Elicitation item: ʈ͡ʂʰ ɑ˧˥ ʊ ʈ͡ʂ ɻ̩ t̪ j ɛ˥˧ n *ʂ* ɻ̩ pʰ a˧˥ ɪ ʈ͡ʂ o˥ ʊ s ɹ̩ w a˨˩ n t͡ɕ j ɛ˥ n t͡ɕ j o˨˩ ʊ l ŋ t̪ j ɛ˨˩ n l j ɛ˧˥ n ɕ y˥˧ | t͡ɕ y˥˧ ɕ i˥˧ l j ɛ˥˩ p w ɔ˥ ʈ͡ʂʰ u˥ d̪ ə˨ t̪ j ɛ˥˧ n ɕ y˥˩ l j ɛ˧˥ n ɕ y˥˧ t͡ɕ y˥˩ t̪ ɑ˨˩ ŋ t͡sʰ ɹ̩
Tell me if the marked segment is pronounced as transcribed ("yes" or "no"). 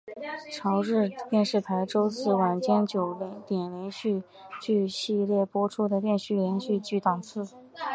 yes